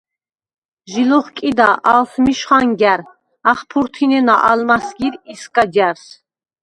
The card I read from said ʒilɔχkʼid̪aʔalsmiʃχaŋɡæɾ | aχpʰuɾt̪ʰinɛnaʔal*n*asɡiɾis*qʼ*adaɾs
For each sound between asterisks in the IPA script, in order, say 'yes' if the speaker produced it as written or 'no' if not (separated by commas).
no, no